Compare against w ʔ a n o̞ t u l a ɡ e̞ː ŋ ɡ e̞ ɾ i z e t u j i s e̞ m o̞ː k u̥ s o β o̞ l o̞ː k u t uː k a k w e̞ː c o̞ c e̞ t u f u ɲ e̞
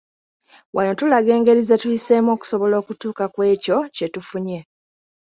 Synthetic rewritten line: w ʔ a n o̞ t u l a ɡ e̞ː ŋ ɡ e̞ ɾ i z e t u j i s e̞ m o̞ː k u̥ s o β o̞ l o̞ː k u t uː k a k w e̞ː c o̞ c e̞ t u f u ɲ e̞